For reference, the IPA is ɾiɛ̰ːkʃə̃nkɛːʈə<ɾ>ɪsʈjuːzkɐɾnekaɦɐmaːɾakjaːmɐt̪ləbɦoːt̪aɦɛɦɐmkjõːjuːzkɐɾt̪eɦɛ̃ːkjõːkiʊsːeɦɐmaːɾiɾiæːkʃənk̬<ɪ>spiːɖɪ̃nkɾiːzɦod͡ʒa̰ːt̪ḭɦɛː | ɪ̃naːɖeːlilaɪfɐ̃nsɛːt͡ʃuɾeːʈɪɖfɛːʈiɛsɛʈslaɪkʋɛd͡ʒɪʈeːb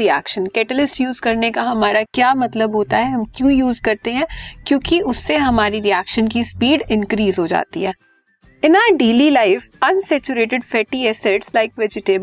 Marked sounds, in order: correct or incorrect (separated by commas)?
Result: incorrect, incorrect